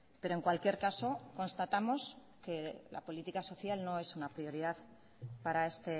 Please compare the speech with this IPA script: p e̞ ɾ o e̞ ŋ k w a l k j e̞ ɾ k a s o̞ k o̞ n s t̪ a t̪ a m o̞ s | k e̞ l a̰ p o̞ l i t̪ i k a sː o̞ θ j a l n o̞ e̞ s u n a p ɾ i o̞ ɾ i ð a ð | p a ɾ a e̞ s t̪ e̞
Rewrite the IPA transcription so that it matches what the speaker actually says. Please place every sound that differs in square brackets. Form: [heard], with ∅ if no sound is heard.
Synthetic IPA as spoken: p e̞ ɾ o e̞ ŋ k w a l k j e̞ ɾ k a s o̞ k o̞ n s t̪ a t̪ a m o̞ s | k e̞ l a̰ p o̞ l i t̪ i k a [s] o̞ θ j a l n o̞ e̞ s u n a p ɾ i o̞ ɾ i ð a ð | p a ɾ a e̞ s t̪ e̞